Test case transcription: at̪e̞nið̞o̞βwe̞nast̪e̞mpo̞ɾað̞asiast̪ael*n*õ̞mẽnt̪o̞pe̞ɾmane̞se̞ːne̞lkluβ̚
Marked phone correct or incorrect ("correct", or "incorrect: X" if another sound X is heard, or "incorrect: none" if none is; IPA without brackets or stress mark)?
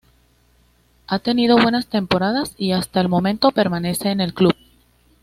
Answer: incorrect: m